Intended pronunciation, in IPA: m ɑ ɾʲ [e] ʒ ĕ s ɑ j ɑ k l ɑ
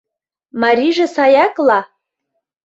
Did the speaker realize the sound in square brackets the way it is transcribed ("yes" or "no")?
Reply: no